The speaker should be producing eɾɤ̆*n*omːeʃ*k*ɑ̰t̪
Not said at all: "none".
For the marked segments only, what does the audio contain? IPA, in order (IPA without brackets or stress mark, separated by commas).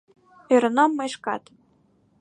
n, k